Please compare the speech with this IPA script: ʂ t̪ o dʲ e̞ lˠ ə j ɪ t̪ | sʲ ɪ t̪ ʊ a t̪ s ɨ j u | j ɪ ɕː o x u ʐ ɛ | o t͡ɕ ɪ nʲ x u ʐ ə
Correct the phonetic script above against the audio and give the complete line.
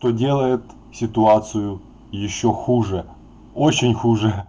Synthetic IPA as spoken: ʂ t̪ o dʲ e̞ lˠ ə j ɪ t̪ | sʲ ɪ t̪ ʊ a t̪ s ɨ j ʊ | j ɪ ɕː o x u ʐ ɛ | o t͡ɕ ɪ nʲ x u ʐ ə